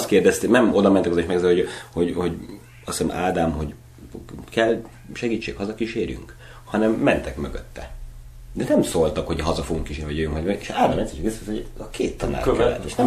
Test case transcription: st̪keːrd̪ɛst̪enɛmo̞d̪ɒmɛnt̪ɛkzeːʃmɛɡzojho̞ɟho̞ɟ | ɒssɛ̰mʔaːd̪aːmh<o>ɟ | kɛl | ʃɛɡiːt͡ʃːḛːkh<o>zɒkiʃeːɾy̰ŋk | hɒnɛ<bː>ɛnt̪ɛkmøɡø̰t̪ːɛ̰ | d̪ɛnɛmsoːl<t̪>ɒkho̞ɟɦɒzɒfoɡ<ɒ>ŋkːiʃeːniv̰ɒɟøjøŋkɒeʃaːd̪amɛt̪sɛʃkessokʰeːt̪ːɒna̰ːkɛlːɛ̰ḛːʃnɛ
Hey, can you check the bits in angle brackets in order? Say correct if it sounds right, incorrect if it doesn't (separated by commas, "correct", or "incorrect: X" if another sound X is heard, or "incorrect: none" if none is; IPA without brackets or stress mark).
correct, incorrect: ɒ, incorrect: mː, correct, incorrect: u